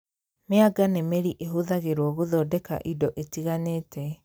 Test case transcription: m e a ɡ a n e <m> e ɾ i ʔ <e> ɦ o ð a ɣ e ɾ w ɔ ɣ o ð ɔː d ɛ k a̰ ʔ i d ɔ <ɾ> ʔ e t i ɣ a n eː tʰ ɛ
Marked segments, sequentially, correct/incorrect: correct, correct, incorrect

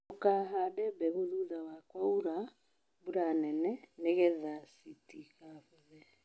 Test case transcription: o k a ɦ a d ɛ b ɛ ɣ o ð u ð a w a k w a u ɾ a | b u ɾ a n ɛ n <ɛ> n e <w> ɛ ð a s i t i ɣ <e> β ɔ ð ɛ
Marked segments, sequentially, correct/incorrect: correct, incorrect, incorrect

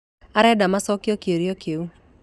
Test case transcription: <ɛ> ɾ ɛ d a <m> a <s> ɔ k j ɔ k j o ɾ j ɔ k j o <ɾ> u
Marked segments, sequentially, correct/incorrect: incorrect, correct, correct, incorrect

